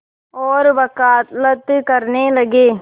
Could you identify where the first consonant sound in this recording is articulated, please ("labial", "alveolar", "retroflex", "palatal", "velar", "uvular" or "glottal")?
alveolar